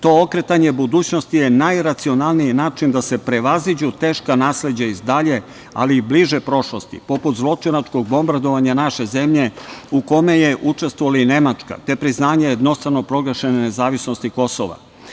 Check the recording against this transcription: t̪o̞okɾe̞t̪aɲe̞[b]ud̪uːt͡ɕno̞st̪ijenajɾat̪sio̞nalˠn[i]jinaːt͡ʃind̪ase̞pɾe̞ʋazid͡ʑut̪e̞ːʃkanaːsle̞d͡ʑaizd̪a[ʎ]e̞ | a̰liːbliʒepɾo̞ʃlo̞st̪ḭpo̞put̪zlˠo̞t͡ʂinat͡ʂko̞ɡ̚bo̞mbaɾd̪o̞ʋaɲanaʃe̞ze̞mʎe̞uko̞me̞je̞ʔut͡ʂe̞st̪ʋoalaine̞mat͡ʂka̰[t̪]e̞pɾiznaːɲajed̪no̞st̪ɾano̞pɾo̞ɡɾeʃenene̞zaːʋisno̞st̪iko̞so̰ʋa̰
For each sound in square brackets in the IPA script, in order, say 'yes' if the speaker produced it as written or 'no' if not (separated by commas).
yes, yes, yes, yes